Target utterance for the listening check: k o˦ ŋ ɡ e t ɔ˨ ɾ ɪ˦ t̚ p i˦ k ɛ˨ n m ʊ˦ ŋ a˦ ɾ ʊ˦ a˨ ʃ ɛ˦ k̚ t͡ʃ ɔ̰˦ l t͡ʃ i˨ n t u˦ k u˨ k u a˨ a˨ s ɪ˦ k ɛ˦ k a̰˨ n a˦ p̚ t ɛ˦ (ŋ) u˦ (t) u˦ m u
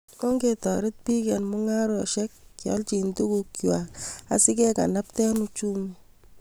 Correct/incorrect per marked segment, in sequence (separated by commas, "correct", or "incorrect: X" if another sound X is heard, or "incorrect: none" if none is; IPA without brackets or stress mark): incorrect: n, incorrect: t͡ʃ